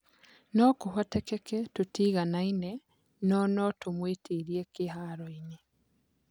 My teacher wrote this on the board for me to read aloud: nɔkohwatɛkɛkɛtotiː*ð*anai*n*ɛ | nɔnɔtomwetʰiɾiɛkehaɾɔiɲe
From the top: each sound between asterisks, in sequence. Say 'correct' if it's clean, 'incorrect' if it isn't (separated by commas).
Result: incorrect, correct